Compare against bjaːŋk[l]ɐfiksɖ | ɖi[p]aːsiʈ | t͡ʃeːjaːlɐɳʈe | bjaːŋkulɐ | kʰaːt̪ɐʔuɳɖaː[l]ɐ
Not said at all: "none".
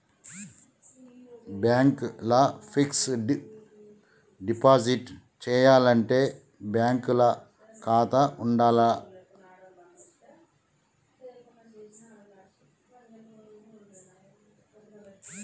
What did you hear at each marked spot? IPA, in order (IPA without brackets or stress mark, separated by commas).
l, p, l